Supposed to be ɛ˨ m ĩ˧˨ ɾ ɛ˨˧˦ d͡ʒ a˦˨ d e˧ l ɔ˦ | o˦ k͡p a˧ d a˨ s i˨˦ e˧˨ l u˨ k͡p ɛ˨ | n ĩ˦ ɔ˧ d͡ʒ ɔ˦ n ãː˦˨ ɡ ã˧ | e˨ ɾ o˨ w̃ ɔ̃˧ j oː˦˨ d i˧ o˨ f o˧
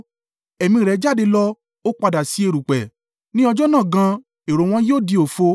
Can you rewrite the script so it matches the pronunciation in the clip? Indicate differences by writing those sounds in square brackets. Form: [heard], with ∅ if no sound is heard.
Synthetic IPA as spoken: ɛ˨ m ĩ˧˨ ɾ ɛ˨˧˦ d͡ʒ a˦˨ d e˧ l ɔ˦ | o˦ k͡p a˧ d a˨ s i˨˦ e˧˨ [ɾ] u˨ k͡p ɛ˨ | n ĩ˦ ɔ˧ d͡ʒ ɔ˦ n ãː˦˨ ɡ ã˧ | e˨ ɾ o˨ w̃ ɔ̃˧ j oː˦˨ d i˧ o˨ f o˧